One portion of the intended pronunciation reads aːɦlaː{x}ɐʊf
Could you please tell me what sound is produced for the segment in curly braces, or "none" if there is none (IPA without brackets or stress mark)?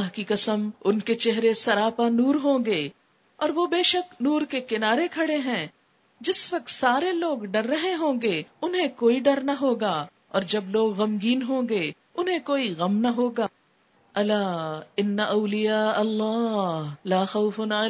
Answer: x